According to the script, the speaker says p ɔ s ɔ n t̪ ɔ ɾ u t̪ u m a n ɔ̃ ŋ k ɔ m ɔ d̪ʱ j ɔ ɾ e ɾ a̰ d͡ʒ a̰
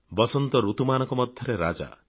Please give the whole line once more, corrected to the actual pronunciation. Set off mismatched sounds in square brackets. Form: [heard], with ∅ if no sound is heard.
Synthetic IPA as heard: [b] ɔ s ɔ n t̪ ɔ ɾ u t̪ u m a n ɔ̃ ŋ k ɔ m ɔ d̪ʱ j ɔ ɾ e ɾ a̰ d͡ʒ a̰

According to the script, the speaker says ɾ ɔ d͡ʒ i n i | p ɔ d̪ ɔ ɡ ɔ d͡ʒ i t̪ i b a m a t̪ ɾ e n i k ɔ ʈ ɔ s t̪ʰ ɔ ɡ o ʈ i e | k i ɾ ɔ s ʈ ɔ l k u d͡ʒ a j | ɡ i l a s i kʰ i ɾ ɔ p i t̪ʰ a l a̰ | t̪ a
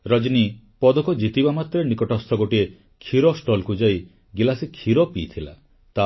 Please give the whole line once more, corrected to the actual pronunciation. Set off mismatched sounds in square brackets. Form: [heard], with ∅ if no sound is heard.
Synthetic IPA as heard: ɾ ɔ d͡ʒ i n i | p ɔ d̪ ɔ [k] ɔ d͡ʒ i t̪ i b a m a t̪ ɾ e n i k ɔ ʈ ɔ s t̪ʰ ɔ ɡ o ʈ i e | [kʰ] i ɾ ɔ s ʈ ɔ l k u d͡ʒ a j | ɡ i l a s i kʰ i ɾ ɔ p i t̪ʰ [i] l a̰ | t̪ a

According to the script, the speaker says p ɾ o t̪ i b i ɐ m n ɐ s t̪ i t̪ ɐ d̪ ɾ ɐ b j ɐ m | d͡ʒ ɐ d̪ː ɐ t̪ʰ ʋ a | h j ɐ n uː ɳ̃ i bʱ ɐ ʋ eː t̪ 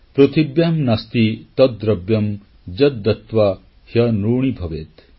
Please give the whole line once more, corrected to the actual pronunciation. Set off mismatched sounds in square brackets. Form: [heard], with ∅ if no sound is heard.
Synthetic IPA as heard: p ɾ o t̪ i b [j] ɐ m n ɐ s t̪ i t̪ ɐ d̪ ɾ ɐ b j ɐ m | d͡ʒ ɐ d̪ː ɐ [t̪] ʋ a | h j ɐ n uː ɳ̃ i bʱ ɐ ʋ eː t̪

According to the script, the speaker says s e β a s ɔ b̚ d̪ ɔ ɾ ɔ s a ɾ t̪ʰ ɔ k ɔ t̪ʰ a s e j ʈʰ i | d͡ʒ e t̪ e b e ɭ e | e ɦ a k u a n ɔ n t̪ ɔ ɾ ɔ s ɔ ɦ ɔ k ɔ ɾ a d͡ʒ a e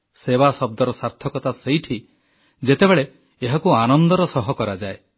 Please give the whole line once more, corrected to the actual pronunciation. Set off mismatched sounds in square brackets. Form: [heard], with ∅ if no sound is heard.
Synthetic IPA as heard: s e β a s ɔ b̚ d̪ ɔ ɾ ɔ s a ɾ t̪ʰ ɔ k ɔ [t̪] a s e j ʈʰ i | d͡ʒ e t̪ e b e ɭ e | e ɦ a k u a n ɔ n [d̪] ɔ ɾ ɔ s ɔ ɦ ɔ k ɔ ɾ a d͡ʒ a e

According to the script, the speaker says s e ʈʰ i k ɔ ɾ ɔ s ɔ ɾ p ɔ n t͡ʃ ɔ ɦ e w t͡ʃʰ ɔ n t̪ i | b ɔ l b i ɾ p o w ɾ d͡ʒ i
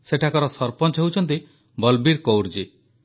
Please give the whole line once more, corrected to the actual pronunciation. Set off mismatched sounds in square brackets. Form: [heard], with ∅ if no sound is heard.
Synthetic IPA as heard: s e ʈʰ [a] k ɔ ɾ ɔ s ɔ ɾ p ɔ n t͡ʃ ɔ ɦ e w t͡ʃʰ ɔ n t̪ i | b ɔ l b i ɾ [k] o w ɾ d͡ʒ i

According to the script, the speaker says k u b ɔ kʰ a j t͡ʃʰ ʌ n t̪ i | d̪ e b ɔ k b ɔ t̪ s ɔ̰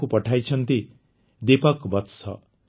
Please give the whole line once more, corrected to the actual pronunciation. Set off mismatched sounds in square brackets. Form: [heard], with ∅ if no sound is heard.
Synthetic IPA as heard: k u [p] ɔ [ʈʰ] a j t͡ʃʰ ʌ n t̪ i | d̪ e [p] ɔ k b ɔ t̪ s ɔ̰

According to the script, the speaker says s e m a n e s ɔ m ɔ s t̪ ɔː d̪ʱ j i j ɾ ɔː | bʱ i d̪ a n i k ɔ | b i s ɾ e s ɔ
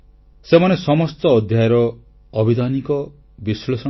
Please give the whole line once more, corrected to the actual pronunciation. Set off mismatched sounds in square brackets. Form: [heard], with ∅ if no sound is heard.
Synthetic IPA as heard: s e m a n e s ɔ m ɔ s t̪ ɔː d̪ʱ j [a] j ɾ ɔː | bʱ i d̪ a n i k ɔ | b i s [l] e s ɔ

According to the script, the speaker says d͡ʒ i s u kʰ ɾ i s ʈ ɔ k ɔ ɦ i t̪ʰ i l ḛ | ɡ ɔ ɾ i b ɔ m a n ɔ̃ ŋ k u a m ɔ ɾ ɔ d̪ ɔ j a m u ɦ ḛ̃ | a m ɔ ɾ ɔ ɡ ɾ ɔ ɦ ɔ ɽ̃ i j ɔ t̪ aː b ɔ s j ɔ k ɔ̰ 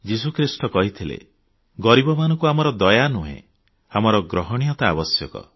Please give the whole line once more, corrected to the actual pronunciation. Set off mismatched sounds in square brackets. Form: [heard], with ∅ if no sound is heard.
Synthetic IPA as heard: d͡ʒ i s u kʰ ɾ i s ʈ ɔ k ɔ ɦ i t̪ʰ i l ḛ | ɡ ɔ ɾ i b ɔ m a n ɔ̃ ŋ k u a m ɔ ɾ ɔ d̪ ɔ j a [n] u ɦ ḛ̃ | a m ɔ ɾ ɔ ɡ ɾ ɔ ɦ ɔ ɽ̃ i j ɔ t̪ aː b ɔ s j ɔ k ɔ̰

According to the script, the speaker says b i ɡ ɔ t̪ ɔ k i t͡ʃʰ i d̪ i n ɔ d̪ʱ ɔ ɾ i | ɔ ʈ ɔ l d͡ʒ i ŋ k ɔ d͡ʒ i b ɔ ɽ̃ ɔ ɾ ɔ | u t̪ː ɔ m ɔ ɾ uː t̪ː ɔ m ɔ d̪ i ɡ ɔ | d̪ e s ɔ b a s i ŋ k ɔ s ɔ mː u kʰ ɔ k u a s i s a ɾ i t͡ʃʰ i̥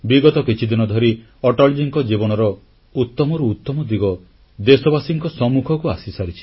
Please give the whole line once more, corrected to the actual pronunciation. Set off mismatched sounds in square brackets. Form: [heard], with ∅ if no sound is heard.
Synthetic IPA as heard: b i ɡ ɔ t̪ ɔ k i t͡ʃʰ i d̪ i n ɔ d̪ʱ ɔ ɾ i | ɔ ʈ ɔ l d͡ʒ i ŋ k ɔ d͡ʒ i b ɔ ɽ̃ ɔ ɾ ɔ | u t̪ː ɔ m ɔ ɾ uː t̪ː ɔ m ɔ d̪ i ɡ ɔ | d̪ e s ɔ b a s i ŋ k ɔ s ɔ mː u kʰ ɔ k u a s i s a ɾ i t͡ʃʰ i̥

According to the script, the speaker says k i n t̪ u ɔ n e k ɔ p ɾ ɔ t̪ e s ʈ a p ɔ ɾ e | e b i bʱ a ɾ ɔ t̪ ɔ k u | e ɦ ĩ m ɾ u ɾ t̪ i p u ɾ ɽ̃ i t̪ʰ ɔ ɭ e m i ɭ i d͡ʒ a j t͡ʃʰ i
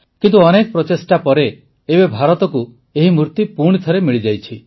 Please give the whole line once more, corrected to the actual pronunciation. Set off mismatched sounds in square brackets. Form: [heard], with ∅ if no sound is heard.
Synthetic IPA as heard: k i n t̪ u ɔ n e k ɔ p ɾ ɔ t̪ e s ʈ a p ɔ ɾ e | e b [e] bʱ a ɾ ɔ t̪ ɔ k u | e ɦ [i] m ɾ u ɾ t̪ i p u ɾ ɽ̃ i t̪ʰ ɔ [ɾ] e m i ɭ i d͡ʒ a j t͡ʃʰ i

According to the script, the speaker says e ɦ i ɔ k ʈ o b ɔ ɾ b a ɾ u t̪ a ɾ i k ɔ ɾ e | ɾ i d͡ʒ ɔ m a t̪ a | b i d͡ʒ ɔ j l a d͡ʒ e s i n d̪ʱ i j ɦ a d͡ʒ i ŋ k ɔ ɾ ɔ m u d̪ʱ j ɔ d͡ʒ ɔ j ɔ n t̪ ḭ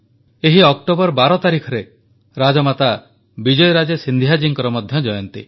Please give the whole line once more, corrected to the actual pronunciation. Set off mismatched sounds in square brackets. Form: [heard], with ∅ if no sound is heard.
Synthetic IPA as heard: e ɦ i ɔ k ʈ o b ɔ ɾ b a ɾ [ɔ] t̪ a ɾ i [kʰ] ɔ ɾ e | ɾ [a] d͡ʒ ɔ m a t̪ a | b i d͡ʒ ɔ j [ɾ] a d͡ʒ e s i n d̪ʱ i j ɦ a d͡ʒ i ŋ k ɔ ɾ ɔ m [ɔ] d̪ʱ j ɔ d͡ʒ ɔ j ɔ n t̪ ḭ

